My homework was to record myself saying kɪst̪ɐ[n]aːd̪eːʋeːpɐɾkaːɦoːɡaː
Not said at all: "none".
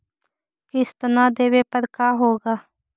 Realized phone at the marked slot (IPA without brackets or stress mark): n